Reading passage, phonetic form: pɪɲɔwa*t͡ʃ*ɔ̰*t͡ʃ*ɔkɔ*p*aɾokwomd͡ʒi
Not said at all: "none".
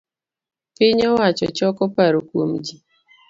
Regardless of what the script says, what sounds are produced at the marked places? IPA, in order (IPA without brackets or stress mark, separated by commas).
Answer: t͡ʃ, t͡ʃ, p